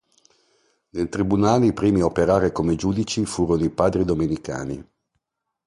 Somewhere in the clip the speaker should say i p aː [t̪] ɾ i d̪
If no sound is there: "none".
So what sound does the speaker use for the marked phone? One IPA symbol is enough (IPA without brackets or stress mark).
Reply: d̪